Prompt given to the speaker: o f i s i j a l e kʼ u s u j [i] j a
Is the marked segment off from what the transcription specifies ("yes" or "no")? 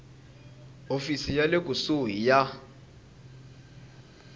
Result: no